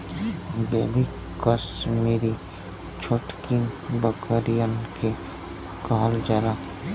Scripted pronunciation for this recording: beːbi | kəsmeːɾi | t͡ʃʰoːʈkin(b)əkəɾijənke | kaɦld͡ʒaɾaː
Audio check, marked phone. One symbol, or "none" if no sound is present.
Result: b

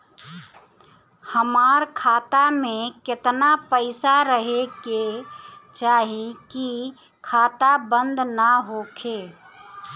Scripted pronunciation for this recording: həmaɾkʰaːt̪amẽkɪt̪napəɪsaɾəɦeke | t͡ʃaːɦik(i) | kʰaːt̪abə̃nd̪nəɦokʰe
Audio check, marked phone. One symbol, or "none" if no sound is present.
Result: i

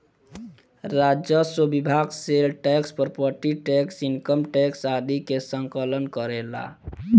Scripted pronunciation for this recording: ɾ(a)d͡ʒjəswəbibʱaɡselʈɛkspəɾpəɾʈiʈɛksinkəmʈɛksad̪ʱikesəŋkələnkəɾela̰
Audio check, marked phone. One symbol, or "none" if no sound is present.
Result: a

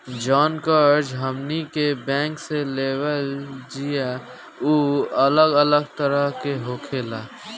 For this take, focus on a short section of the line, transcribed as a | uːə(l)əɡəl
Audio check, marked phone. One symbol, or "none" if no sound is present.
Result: l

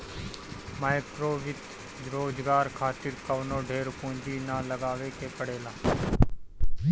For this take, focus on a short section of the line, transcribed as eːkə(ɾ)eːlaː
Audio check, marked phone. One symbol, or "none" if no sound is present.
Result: ɽ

